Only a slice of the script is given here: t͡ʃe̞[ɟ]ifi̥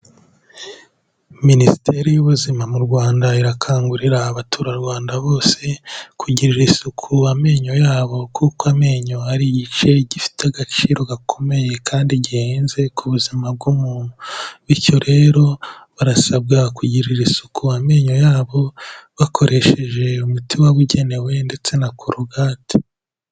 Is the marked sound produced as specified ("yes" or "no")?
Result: yes